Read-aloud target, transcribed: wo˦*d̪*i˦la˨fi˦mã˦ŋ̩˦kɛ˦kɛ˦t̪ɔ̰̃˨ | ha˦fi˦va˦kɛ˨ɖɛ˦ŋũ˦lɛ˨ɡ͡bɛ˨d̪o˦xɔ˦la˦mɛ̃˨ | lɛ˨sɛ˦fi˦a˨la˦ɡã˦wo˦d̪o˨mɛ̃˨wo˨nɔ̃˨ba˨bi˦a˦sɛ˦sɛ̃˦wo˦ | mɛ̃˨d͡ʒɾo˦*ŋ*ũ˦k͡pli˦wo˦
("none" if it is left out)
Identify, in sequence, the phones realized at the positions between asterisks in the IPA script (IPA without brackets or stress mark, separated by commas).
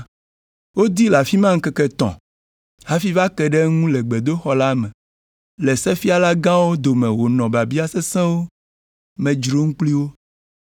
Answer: d̪, ŋ